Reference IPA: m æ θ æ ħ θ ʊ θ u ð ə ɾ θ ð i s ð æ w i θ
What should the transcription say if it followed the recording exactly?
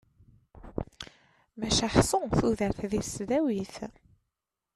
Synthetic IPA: m æ ʃ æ ħ s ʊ θ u ð ə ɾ θ ð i s ð æ w i θ